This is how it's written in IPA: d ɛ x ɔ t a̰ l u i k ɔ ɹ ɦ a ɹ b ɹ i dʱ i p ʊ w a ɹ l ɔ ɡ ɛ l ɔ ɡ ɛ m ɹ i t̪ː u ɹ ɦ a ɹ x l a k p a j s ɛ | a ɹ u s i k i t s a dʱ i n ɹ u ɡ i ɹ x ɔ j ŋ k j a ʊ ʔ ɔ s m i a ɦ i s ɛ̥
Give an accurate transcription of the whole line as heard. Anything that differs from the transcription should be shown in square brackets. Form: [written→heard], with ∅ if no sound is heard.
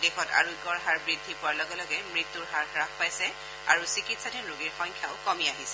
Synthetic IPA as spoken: d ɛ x ɔ t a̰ [l→ɹ] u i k ɔ ɹ ɦ a ɹ b ɹ i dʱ i p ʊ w a ɹ l ɔ ɡ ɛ l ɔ ɡ ɛ m ɹ i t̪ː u ɹ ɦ a ɹ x [l→ɹ] a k p a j s ɛ | a ɹ u s i k i t s a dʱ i n ɹ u ɡ i ɹ x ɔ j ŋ [k→kʰ] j a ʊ [ʔ→k] ɔ [s→∅] m i a ɦ i s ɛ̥